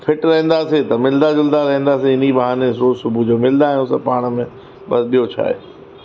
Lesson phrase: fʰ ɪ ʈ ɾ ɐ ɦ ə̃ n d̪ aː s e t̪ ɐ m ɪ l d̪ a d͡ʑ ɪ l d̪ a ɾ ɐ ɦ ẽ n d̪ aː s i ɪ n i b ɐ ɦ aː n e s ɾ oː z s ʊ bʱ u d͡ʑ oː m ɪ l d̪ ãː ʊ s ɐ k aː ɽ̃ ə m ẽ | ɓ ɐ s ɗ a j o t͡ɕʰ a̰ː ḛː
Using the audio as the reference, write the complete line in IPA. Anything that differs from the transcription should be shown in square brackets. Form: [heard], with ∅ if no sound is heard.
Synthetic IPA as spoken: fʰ ɪ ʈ ɾ ɐ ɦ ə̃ n d̪ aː s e t̪ ɐ m ɪ l d̪ a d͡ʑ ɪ l d̪ a ɾ ɐ ɦ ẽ n d̪ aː s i ɪ n i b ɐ ɦ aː n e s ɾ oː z s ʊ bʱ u d͡ʑ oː m ɪ l d̪ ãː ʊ s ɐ [p] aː ɽ̃ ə m ẽ | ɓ ɐ s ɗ [i] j o t͡ɕʰ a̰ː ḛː